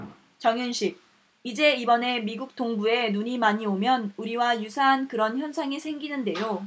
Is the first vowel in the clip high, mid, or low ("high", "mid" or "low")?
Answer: mid